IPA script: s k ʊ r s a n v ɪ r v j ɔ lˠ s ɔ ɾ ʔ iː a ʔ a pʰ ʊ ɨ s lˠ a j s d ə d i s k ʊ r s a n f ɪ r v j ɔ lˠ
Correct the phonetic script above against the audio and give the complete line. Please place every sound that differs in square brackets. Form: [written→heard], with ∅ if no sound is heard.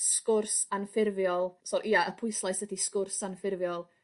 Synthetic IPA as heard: s k ʊ r s a n [v→f] ɪ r v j ɔ lˠ s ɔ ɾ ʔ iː a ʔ [a→ə] pʰ ʊ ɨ s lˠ a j s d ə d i s k ʊ r s a n f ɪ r v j ɔ lˠ